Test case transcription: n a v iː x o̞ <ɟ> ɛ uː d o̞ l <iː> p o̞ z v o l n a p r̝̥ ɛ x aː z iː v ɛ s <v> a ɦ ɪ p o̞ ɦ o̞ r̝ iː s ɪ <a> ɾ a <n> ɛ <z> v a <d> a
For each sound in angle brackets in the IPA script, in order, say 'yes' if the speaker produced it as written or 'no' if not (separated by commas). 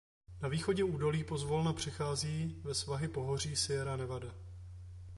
yes, yes, yes, no, yes, no, yes